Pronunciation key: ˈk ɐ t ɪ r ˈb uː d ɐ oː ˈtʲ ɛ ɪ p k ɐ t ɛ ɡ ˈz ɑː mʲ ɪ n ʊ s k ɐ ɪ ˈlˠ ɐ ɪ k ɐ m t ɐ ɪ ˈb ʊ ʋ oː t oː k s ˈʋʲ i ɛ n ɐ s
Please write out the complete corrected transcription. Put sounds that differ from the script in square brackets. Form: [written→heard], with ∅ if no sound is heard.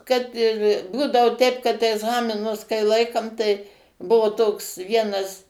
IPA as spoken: ˈk ɐ t ɪ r ˈb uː d ɐ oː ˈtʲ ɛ ɪ p k ɐ t ɛ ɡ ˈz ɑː mʲ ɪ n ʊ s k ɐ ɪ ˈlˠ ɐ ɪ k ɐ m t ɐ ɪ ˈb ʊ ʋ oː t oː k s ˈʋʲ i ɛ n ɐ s